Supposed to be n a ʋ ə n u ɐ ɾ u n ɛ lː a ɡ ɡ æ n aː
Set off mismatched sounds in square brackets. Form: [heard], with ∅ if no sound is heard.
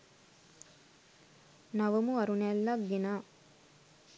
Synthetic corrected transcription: n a ʋ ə [m] u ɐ ɾ u n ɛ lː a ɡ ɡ [e] n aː